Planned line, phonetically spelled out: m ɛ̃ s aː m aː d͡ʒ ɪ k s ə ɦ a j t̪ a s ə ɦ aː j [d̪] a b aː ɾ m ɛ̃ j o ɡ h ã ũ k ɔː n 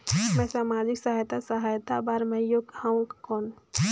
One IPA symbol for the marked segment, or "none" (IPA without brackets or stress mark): t̪